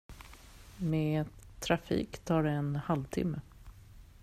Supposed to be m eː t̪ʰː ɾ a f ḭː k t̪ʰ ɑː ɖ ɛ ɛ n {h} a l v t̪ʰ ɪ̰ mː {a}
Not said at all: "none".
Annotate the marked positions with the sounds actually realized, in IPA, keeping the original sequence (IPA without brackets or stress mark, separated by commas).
h, ə